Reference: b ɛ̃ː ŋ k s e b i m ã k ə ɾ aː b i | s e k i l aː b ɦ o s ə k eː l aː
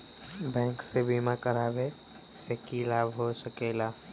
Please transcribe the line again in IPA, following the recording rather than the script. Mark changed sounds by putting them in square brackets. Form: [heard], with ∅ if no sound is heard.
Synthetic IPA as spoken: b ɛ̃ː ŋ k s e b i m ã k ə ɾ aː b [e] | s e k i l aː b ɦ o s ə k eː l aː